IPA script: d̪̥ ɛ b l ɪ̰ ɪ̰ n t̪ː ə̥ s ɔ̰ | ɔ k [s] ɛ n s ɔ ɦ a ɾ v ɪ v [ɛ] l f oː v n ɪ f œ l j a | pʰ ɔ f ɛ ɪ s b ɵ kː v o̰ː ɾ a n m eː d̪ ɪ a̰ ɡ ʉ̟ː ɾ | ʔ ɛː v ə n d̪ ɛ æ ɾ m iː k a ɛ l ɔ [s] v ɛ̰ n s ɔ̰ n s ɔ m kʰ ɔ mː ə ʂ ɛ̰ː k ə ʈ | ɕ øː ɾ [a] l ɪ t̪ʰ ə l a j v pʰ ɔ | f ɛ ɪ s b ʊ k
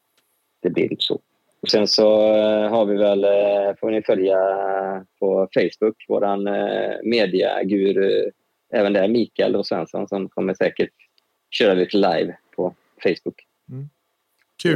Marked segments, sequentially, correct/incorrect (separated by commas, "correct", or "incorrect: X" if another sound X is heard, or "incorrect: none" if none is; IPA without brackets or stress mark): correct, correct, correct, correct